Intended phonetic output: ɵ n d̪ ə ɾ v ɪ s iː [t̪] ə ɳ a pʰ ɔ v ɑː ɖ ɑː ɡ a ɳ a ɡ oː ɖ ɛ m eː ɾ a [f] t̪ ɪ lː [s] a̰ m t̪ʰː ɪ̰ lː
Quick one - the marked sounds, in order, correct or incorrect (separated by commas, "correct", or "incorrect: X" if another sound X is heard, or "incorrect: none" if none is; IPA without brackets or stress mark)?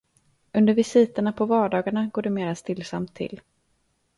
correct, incorrect: s, correct